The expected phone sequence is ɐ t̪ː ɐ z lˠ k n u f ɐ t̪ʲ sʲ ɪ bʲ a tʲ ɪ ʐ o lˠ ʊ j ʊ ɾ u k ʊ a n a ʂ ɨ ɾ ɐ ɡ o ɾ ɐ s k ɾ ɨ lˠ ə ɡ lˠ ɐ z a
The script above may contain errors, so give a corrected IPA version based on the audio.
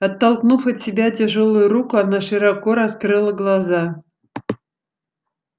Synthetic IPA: ɐ t̪ː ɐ lˠ k n u f ɐ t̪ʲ sʲ ɪ bʲ a tʲ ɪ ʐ o lˠ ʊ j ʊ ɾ u k ʊ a n a ʂ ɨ ɾ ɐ k o ɾ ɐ s k ɾ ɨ lˠ ə ɡ lˠ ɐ z a